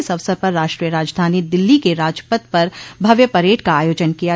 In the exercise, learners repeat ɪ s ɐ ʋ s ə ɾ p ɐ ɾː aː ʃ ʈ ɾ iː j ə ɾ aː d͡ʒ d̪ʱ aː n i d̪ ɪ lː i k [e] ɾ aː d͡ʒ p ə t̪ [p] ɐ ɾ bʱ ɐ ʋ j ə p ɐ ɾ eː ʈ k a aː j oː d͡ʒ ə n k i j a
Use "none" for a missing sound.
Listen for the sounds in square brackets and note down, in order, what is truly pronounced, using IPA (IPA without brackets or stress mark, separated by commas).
e, p